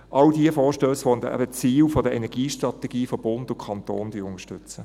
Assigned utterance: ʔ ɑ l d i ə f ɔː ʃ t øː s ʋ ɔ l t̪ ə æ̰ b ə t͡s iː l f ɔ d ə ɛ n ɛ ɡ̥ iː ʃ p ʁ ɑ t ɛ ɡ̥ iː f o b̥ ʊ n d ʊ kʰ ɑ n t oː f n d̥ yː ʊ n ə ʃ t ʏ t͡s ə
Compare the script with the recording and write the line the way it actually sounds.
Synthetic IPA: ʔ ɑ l d i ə f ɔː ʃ t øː s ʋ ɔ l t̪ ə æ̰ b ə t͡s iː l f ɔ d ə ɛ n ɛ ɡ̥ iː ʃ t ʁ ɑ t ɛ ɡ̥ iː f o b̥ ʊ n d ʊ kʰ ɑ n t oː n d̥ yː ʊ n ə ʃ t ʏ t͡s ə

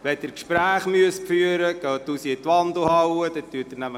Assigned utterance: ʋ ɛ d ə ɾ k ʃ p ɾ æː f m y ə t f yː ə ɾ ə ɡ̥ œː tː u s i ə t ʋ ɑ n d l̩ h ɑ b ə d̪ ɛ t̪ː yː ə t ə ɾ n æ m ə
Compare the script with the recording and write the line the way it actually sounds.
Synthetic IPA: ʋ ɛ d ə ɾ k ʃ p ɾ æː χ m y ə s f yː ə ɾ ə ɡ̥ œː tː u s i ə t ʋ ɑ n d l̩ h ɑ w ə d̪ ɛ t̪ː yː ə t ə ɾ n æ m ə

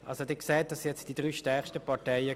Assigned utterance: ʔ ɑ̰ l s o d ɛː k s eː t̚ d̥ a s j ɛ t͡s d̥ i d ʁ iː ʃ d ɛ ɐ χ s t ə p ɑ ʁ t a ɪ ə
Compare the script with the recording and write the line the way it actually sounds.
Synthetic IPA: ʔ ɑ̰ l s o d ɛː k s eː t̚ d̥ ɑ s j ɛ t͡s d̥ i d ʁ yː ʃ t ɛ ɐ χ ʃ t ə p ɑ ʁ t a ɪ ə

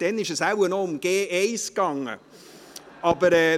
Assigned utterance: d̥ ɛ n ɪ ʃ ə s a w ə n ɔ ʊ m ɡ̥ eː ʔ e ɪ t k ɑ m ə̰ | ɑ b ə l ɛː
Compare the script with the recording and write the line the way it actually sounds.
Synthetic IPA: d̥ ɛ n ɪ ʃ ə s a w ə n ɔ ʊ m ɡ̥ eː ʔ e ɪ s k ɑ ŋ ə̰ | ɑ b ə ɾ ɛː

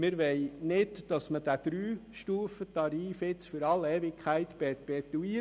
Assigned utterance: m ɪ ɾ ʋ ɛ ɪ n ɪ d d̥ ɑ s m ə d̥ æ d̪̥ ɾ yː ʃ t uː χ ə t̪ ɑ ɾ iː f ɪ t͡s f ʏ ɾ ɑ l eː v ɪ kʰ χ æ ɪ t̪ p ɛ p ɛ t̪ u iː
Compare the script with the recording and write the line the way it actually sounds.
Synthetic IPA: m ɪ ɾ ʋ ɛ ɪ n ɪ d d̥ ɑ s m ə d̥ æ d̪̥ ɾ yː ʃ t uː f ə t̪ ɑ ɾ iː f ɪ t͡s f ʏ ɾ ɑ l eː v ɪ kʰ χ æ ɪ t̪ p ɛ p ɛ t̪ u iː

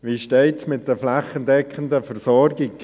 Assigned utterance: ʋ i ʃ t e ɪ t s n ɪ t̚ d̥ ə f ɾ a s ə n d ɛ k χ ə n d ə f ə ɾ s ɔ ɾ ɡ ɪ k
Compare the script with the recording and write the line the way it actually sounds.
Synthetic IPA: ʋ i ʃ t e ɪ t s m ɪ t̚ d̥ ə f l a χ ə n d ɛ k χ ə n d ə f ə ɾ s ɔ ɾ ɡ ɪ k

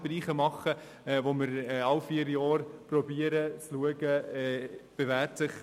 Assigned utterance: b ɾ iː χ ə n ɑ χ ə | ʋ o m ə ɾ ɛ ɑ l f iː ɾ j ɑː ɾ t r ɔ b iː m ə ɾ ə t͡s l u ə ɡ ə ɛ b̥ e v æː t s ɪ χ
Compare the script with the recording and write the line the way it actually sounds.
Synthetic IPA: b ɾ iː χ ə m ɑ χ ə | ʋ o m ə ɾ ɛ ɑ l f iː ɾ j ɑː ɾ p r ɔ b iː ə ɾ ə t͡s l u ə ɡ ə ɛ b̥ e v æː t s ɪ χ

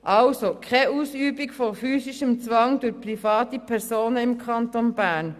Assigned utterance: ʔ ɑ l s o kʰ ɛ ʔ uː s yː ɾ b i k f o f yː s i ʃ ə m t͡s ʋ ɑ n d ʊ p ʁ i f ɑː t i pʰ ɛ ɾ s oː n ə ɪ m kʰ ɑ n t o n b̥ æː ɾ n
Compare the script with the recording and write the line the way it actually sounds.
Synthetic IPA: ʔ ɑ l s o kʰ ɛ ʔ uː s yː b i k f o f yː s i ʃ ə m t͡s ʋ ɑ ŋ d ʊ p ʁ i f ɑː t i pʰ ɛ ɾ s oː n ə ɪ m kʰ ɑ n t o n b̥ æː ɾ n

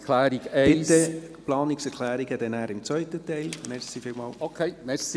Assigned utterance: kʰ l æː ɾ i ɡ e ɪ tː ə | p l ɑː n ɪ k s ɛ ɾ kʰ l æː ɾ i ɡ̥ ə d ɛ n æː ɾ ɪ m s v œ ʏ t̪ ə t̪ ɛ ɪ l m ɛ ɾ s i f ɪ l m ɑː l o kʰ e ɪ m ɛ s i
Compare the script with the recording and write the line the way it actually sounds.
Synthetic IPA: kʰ l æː ɾ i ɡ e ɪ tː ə | p l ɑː n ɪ k s ɛ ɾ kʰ l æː ɾ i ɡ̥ ə d ɛ n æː ɾ ɪ m t͡s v œ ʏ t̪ ə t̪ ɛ ɪ l m ɛ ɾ s i f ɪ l m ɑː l o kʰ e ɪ m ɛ s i

